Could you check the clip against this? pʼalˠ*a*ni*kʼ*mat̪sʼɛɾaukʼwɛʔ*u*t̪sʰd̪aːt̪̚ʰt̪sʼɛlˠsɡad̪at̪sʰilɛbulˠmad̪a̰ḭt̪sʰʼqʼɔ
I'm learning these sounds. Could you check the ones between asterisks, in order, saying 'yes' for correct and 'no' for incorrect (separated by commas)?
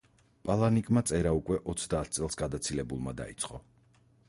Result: yes, yes, no